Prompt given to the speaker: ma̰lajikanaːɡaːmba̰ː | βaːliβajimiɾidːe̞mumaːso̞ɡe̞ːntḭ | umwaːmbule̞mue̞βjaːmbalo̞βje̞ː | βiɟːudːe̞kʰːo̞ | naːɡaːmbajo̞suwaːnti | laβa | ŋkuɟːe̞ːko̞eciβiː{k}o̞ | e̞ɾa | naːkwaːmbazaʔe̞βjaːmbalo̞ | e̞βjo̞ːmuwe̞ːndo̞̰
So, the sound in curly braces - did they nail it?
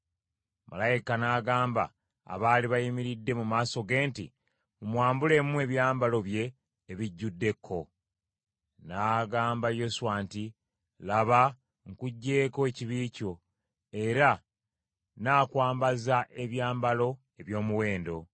no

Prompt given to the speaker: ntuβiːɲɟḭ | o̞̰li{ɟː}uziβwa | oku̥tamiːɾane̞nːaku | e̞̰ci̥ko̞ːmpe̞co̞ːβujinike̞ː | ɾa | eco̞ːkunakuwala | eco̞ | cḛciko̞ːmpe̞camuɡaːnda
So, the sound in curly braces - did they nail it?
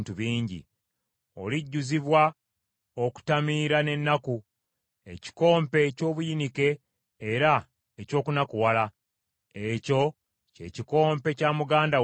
yes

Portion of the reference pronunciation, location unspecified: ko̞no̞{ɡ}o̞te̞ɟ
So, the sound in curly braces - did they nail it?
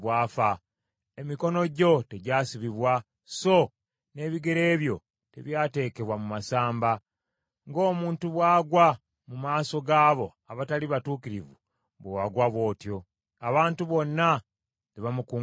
no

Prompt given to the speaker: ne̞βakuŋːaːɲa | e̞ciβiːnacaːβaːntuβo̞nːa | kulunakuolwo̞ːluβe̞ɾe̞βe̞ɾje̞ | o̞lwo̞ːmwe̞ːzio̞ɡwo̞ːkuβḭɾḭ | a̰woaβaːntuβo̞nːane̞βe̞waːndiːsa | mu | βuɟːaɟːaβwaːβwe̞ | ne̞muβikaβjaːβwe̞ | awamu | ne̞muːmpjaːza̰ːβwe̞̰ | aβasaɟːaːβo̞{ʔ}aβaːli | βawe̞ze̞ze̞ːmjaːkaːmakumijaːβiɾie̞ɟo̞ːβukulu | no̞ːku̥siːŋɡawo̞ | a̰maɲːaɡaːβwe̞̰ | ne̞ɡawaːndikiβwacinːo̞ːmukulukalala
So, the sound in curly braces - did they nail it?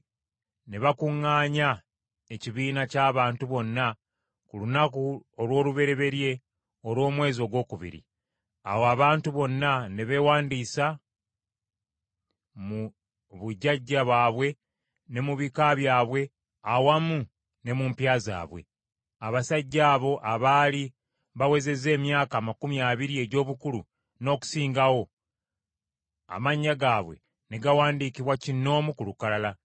yes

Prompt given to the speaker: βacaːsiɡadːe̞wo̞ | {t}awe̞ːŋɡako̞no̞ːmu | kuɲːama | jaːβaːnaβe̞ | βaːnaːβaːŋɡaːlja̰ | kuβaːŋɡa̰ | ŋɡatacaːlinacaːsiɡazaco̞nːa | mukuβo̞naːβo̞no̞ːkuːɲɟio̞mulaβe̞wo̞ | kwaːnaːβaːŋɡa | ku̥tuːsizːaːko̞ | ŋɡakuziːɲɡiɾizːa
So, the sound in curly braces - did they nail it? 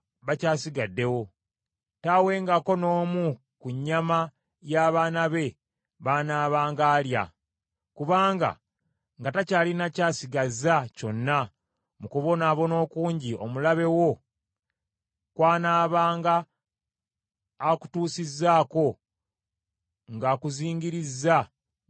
yes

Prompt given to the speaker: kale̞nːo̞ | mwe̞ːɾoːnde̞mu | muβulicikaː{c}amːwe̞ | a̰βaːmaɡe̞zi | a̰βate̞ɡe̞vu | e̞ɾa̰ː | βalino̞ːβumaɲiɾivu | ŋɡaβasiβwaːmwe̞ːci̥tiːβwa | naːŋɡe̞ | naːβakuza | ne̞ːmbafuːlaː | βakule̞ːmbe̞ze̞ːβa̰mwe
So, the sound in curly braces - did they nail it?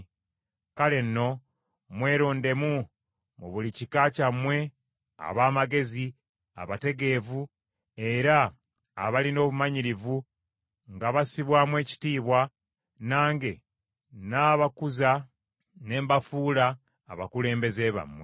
yes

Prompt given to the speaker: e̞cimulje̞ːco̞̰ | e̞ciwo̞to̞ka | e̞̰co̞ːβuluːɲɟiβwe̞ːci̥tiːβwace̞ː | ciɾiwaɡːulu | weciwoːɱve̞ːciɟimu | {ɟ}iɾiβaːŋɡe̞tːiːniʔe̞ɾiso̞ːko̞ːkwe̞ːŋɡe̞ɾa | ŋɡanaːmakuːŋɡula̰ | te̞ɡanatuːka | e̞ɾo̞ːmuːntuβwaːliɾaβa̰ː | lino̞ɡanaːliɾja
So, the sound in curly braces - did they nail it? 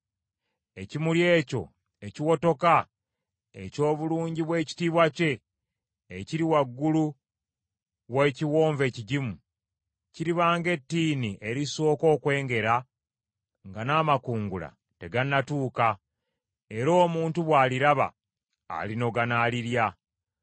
no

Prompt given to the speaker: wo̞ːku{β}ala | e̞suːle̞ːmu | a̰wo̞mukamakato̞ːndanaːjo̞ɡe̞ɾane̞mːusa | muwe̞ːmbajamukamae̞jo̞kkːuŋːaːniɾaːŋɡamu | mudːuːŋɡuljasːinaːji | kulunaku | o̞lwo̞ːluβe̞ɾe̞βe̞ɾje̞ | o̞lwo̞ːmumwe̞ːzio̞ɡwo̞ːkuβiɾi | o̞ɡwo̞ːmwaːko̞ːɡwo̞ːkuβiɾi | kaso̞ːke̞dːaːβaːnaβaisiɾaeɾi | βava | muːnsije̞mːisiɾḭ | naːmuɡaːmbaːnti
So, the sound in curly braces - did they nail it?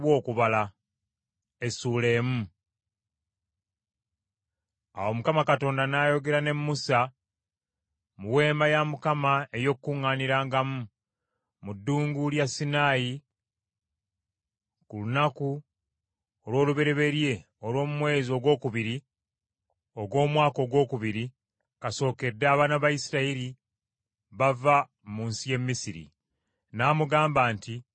yes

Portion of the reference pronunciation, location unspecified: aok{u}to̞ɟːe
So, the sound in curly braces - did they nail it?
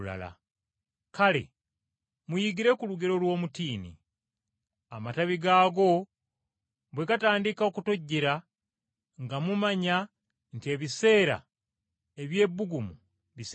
yes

